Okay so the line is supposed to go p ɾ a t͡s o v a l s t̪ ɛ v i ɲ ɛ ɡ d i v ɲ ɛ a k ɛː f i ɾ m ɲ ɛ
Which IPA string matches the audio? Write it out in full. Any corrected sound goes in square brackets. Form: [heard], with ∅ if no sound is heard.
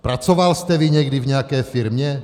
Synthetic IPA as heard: p ɾ a t͡s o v a l s t̪ ɛ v i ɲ ɛ ɡ d i v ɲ ɛ a k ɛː f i ɾ m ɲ ɛ